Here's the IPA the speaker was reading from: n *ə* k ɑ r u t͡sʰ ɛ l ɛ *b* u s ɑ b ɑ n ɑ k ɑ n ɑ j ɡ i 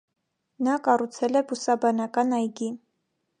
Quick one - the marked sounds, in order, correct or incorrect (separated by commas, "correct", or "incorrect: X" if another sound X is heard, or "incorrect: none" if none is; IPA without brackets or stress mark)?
incorrect: ɑ, correct